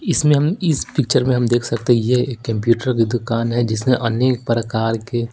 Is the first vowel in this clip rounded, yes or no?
no